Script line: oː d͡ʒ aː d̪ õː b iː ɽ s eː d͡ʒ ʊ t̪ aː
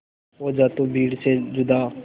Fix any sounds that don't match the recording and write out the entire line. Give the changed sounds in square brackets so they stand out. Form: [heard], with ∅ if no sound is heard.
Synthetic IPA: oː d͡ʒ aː [t̪] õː b iː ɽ s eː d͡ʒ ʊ [d̪] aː